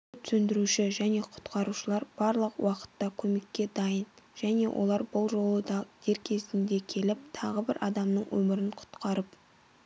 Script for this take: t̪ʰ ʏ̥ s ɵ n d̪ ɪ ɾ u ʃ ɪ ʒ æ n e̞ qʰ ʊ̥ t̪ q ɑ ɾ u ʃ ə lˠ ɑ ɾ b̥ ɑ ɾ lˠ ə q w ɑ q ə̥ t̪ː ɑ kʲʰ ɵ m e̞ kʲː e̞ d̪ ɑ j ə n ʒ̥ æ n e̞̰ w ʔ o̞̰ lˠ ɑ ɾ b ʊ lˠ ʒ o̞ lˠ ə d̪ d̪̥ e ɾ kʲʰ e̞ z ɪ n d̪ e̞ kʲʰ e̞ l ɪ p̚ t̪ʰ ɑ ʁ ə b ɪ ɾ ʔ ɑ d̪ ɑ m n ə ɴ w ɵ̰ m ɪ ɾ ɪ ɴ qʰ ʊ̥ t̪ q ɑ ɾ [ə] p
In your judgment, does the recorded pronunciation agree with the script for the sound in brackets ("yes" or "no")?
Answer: yes